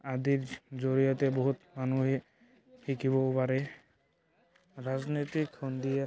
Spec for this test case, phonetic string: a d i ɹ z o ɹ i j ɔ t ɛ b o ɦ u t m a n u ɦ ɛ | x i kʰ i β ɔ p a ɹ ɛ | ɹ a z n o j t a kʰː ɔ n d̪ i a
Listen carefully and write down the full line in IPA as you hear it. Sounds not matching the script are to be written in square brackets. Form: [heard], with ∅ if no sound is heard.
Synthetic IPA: a d i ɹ z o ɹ i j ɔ t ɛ b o ɦ u t m a n u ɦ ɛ | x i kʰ i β ɔ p a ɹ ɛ | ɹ a z n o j t [i] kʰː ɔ n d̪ i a